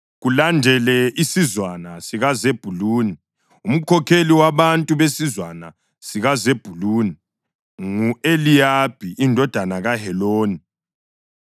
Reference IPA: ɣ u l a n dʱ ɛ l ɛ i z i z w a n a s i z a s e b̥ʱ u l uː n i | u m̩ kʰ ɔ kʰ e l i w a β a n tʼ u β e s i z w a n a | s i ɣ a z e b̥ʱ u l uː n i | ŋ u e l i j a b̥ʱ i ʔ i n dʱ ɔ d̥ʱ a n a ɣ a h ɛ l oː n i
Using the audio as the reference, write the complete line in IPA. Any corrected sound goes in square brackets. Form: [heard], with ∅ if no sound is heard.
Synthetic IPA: ɣ u l a n dʱ ɛ l ɛ i [s] i z w a n a s i [ɣ] a [z] e b̥ʱ u l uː n i | u m̩ kʰ ɔ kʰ e l i w a β a n tʼ u β e s i z w a n a | s i ɣ a z e b̥ʱ u l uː n i | ŋ u e l i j a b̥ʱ i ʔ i n dʱ ɔ d̥ʱ a n a ɣ a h ɛ l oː n i